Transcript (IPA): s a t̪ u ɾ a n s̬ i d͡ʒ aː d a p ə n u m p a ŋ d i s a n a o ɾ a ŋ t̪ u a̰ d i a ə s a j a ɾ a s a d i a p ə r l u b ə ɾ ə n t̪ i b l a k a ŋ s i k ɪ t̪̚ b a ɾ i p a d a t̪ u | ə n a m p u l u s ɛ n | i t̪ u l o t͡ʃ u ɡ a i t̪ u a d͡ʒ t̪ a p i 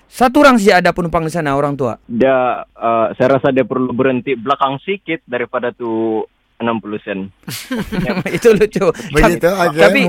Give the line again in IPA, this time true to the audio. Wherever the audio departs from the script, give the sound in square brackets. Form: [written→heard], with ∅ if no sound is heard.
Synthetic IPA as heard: s a t̪ u ɾ a [n→ŋ] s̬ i d͡ʒ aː d a p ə n u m p a ŋ d i s a n a o ɾ a ŋ t̪ u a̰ d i a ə s a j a ɾ a s a d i a p ə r l u b ə ɾ ə n t̪ i b l a k a ŋ s i k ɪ t̪̚ [b→d] a ɾ i p a d a t̪ u | ə n a m p u l u s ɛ n | i t̪ u l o t͡ʃ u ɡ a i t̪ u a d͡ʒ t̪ a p i